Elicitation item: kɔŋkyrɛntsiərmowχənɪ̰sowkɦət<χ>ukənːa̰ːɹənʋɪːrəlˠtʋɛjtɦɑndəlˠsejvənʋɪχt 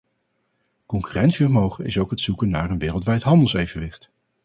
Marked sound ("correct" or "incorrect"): incorrect